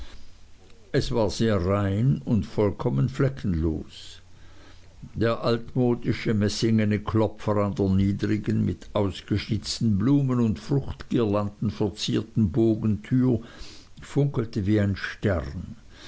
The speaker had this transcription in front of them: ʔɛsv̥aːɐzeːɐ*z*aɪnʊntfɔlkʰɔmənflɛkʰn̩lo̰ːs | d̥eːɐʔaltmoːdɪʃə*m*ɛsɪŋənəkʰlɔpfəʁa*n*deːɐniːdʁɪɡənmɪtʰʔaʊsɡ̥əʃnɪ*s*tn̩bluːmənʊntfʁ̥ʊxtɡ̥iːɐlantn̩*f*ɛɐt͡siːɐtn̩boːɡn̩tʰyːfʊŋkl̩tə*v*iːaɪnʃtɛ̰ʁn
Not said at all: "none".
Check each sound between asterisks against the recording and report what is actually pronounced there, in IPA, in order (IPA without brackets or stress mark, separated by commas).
ʁ, m, n, t͡s, f, v